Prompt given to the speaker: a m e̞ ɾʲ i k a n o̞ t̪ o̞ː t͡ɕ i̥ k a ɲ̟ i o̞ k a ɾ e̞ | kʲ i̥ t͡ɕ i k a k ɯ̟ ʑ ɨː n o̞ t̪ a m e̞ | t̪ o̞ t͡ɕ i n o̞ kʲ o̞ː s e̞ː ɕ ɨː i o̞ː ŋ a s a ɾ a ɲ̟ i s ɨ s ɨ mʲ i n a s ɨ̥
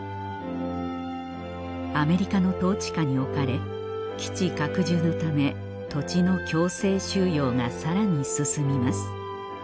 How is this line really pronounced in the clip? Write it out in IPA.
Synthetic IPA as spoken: a m e̞ ɾʲ i k a n o̞ t̪ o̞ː t͡ɕ i̥ k a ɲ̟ i o̞ k a ɾ e̞ | kʲ i̥ t͡ɕ i k a k ɯ̟ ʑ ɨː n o̞ t̪ a m e̞ | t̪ o̞ t͡ɕ i n o̞ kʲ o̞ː s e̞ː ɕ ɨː j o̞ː ŋ a s a ɾ a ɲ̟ i s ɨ s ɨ mʲ i m a s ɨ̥

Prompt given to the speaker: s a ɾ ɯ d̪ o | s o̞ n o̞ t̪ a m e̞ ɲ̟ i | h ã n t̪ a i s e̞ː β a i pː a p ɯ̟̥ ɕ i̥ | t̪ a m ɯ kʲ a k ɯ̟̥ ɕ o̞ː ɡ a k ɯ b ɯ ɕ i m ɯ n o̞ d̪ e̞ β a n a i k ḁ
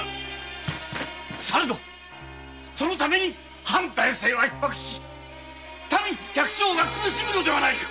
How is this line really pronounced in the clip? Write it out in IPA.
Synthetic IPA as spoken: s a ɾ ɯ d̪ o | s o̞ n o̞ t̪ a m e̞ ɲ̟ i | h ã n t̪ a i s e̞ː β a i pː a k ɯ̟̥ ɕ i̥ | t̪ a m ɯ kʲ a k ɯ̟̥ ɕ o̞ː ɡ a k ɯ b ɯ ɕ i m ɯ n o̞ d̪ e̞ β a n a i k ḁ

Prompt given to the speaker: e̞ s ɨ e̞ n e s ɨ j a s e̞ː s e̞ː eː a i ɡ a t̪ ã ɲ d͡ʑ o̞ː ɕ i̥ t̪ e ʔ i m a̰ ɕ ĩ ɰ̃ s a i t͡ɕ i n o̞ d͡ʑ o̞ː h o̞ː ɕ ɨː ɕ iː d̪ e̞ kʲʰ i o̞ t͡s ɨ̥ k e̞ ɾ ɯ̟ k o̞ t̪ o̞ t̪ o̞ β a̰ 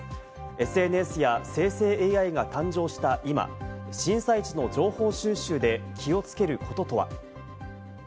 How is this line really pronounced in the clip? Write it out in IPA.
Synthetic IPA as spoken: e̞ s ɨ e̞ n e s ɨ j a s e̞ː s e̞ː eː a i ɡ a t̪ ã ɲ d͡ʑ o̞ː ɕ i̥ t̪ a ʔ i m a̰ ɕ ĩ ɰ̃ s a i t͡ɕ i n o̞ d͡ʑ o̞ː h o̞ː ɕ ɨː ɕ ɨː d̪ e̞ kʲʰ i o̞ t͡s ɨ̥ k e̞ ɾ ɯ̟ k o̞ t̪ o̞ t̪ o̞ β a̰

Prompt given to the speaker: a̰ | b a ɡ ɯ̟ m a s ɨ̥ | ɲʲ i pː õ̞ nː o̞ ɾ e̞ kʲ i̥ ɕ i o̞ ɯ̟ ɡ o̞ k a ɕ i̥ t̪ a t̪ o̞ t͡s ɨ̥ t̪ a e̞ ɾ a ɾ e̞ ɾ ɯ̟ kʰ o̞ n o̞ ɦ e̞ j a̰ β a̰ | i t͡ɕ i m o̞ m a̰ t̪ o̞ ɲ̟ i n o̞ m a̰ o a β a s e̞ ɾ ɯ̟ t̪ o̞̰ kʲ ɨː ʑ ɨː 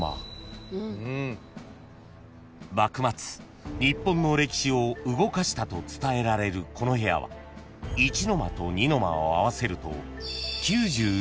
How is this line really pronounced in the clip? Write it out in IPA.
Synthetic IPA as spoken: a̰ | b a k ɯ̟ m a t͡s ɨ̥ | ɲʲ i pː õ̞ nː o̞ ɾ e̞ kʲ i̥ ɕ i o̞ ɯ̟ ɡ o̞ k a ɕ i̥ t̪ a t̪ o̞ t͡s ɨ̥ t̪ a e̞ ɾ a ɾ e̞ ɾ ɯ̟ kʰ o̞ n o̞ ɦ e̞ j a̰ β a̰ | i t͡ɕ i n o̞ m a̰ t̪ o̞ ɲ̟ i n o̞ m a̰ o a β a s e̞ ɾ ɯ̟ t̪ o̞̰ kʲ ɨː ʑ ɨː

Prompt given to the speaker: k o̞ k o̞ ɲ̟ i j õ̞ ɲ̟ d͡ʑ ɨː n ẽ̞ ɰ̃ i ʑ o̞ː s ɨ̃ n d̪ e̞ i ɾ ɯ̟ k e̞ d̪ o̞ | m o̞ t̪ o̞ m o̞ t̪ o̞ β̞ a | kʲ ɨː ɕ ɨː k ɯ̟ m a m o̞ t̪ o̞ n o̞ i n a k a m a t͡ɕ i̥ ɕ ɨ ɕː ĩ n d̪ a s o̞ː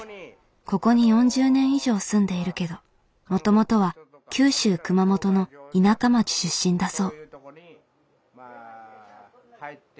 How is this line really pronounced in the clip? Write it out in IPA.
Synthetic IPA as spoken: k o̞ k o̞ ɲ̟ i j õ̞ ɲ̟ d͡ʑ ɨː n ẽ̞ ɰ̃ i ʑ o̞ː s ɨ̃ n d̪ e̞ i ɾ ɯ̟ k e̞ d̪ o̞ | m o̞ t̪ o̞ m o̞ t̪ o̞ β̞ a | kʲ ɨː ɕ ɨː k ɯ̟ m a m o̞ t̪ o̞ n o̞ i n a k a m a t͡ɕ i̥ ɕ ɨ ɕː ĩ n d̪ a s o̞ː

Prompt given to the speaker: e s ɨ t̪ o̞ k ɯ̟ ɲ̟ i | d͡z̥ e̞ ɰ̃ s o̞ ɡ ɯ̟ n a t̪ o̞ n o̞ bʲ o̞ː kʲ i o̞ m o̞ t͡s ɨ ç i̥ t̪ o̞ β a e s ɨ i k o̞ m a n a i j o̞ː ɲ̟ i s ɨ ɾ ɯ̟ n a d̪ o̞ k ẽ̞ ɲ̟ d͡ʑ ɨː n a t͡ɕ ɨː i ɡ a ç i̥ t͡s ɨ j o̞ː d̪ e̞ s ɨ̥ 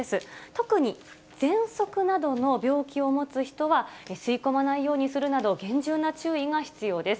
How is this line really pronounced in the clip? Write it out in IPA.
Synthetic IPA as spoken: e s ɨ t̪ o̞ k ɯ̟ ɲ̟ i | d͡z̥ ẽ̞ ɰ̃ s o̞ k ɯ̟ n a d̪ o̞ n o̞ bʲ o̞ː kʲ i o̞ m o̞ t͡s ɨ ç i̥ t̪ o̞ β a e s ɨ i k o̞ m a n a i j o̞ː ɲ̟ i s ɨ ɾ ɯ̟ n a d̪ o̞ ɡ ẽ̞ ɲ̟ d͡ʑ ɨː n a t͡ɕ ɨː i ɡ a ç i̥ t͡s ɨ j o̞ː d̪ e̞ s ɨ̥

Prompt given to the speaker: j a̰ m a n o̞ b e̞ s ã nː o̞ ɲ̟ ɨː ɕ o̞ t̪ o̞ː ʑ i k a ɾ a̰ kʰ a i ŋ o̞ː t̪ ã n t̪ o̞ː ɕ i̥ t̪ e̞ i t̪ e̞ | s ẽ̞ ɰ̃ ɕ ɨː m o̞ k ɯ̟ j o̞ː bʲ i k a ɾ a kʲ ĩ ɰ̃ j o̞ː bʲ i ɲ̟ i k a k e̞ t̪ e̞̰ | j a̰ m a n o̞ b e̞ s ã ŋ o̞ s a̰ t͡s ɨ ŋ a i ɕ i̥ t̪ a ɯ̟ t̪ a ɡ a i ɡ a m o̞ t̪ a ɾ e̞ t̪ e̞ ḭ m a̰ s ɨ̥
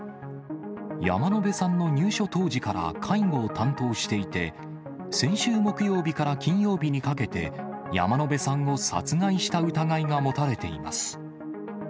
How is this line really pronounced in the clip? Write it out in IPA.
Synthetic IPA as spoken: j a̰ m a n o̞ b e̞ s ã nː o̞ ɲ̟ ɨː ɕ o̞ t̪ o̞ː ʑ i k a ɾ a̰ kʰ a i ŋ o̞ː t̪ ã n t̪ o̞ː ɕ i̥ t̪ e̞ i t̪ e̞ | s ẽ̞ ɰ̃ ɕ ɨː m o̞ k ɯ̟ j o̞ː bʲ i k a ɾ a kʲ ĩ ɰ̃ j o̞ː bʲ i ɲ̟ i k a k e̞ t̪ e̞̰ | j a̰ m a n o̞ b e̞ s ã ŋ o̞ s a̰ t͡s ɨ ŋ a i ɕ i̥ t̪ a ɯ̟ t̪ a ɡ a i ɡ a m o̞ t̪ a ɾ e̞ t̪ e̞ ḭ m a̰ s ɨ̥

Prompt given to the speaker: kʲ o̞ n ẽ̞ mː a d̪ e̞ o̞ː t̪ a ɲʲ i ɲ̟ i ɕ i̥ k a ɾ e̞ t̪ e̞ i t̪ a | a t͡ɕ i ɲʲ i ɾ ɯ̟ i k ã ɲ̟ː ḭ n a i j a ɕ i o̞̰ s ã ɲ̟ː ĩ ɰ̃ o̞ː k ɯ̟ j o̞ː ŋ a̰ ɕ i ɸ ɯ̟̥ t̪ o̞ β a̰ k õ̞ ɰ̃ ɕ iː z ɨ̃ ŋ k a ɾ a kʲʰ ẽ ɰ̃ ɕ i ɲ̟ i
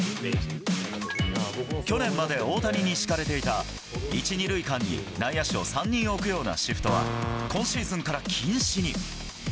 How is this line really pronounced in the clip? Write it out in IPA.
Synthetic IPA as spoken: kʲ o̞ n ẽ̞ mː a d̪ e̞ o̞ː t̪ a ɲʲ i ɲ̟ i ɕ i̥ k a ɾ e̞ t̪ e̞ i t̪ a | i t͡ɕ i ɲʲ i ɾ ɯ̟ i k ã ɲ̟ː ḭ n a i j a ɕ i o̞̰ s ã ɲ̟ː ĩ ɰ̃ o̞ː k ɯ̟ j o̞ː n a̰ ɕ i ɸ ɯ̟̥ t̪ o̞ β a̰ k õ̞ ɰ̃ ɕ iː z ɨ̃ ŋ k a ɾ a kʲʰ ĩ ɰ̃ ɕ i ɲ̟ i

